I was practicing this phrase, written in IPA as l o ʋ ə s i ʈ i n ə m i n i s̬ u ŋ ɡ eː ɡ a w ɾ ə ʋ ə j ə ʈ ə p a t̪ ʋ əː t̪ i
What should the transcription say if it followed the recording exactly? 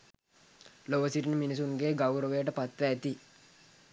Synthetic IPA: l o ʋ ə s i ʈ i n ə m i n i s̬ u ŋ ɡ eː ɡ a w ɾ ə ʋ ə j ə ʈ ə p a t̪ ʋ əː t̪ i